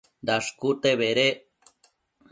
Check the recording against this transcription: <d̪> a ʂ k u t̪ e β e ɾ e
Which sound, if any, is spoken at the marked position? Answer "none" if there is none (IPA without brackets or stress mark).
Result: d̪